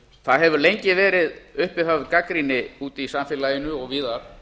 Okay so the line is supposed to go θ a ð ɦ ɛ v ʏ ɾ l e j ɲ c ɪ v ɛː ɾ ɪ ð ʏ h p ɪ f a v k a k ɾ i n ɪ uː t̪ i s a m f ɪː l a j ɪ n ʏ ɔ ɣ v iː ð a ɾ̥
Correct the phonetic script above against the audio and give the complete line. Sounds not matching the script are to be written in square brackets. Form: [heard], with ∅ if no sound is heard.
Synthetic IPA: θ a ð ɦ ɛ v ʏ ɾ l e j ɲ c ɪ v ɛː ɾ ɪ ð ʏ h p ɪ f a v k a k ɾ i n ɪ uː t̪ i s a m f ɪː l a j ɪ n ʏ ɔ ɣ v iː ð a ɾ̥